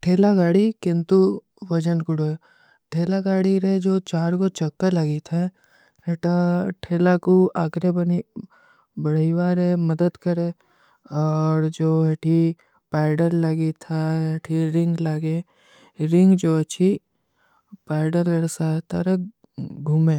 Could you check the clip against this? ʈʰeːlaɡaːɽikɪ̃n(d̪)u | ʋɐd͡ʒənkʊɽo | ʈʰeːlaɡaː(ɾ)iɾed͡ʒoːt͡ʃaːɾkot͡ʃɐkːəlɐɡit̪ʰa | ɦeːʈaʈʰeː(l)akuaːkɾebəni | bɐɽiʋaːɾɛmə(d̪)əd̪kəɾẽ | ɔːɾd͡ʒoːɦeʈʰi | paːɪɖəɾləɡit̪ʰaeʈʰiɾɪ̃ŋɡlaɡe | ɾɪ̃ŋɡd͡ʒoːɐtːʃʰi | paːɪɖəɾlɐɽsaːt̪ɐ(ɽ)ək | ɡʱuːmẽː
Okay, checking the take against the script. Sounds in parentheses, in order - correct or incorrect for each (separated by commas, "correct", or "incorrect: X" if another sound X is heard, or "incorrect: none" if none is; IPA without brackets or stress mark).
incorrect: t̪, incorrect: ɽ, correct, correct, incorrect: ɾ